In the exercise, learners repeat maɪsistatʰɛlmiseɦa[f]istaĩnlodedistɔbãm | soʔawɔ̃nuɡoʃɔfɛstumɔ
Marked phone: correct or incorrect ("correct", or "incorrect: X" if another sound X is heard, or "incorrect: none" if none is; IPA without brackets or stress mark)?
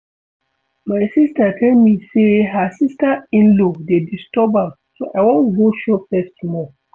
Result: incorrect: s